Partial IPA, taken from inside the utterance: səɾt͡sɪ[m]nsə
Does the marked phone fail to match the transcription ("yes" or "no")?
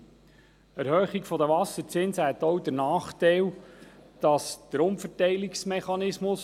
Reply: yes